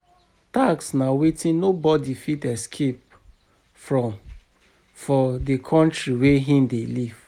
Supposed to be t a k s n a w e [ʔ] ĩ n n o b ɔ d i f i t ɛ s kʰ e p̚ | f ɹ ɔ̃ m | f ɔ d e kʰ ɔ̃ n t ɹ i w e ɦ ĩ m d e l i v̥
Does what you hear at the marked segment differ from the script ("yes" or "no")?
yes